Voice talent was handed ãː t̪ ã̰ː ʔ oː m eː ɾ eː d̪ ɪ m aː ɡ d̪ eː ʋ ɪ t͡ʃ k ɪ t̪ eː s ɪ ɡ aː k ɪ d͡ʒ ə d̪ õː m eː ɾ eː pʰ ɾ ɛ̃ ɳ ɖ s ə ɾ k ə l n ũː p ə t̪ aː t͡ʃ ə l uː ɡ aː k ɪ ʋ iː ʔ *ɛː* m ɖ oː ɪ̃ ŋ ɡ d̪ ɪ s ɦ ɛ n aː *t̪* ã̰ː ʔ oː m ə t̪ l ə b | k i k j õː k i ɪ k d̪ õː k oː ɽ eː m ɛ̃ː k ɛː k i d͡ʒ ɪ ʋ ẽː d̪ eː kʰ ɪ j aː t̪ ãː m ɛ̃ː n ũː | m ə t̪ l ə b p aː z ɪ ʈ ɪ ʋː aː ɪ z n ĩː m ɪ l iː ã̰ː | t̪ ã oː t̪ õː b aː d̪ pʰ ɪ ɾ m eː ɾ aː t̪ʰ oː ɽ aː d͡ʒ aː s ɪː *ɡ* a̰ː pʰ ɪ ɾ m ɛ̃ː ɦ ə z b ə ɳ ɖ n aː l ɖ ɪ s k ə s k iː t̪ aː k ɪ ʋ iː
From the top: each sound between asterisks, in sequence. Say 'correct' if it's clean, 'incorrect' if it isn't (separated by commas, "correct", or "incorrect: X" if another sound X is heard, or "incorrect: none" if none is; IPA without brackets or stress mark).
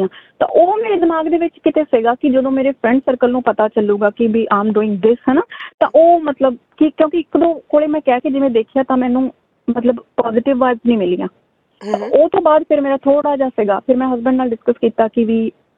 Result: incorrect: aː, correct, correct